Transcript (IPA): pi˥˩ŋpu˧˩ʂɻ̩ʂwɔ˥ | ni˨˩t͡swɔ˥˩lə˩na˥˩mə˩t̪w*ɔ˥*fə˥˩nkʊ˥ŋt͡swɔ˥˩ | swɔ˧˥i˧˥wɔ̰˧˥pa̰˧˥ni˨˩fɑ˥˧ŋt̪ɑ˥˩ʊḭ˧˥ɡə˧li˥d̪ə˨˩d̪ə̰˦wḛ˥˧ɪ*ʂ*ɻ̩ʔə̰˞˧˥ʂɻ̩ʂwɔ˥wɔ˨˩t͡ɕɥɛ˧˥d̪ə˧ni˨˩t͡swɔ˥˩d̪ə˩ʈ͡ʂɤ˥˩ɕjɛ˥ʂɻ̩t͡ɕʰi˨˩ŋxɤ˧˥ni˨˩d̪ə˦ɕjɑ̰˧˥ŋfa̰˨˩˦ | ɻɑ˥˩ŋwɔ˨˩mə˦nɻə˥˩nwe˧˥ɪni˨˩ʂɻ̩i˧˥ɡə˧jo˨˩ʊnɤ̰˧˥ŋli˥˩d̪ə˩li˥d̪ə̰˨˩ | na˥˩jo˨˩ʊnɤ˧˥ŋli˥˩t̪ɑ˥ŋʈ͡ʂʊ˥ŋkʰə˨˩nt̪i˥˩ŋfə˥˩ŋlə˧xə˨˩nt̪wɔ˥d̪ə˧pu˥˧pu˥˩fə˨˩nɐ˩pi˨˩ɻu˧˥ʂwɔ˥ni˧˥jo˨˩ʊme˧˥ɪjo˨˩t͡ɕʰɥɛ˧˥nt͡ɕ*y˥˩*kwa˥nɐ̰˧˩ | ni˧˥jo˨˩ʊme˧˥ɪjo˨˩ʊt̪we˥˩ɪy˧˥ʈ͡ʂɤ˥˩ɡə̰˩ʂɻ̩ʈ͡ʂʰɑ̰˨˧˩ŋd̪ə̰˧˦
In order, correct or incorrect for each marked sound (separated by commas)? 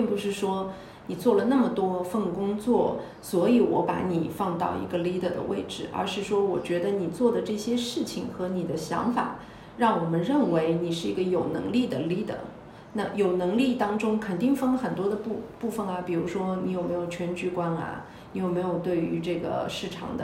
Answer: correct, incorrect, incorrect